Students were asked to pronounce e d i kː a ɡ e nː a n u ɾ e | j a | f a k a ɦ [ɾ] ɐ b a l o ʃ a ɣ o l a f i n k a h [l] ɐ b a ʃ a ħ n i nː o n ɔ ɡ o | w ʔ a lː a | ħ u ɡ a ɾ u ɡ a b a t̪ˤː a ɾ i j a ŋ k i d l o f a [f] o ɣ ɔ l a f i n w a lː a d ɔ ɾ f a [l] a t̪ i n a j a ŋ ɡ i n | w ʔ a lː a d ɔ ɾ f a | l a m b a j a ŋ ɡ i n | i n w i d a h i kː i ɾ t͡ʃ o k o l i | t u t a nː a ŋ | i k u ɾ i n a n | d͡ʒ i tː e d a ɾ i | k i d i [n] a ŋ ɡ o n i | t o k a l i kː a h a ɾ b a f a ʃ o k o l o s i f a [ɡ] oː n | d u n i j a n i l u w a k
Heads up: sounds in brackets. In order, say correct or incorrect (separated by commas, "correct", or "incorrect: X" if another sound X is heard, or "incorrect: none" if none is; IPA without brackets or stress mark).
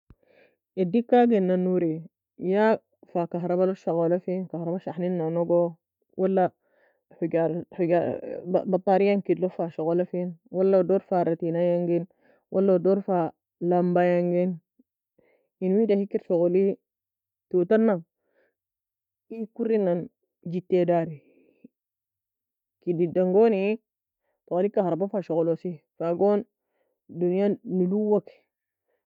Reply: correct, incorrect: ɾ, incorrect: ʃ, incorrect: ɾ, incorrect: d, correct